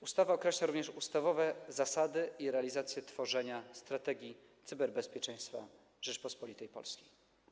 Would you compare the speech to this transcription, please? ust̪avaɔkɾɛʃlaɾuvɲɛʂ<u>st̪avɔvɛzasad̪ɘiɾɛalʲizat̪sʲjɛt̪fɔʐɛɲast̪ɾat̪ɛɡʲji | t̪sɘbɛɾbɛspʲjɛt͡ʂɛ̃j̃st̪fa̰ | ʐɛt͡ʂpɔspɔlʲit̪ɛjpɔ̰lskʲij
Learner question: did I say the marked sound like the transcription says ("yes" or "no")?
yes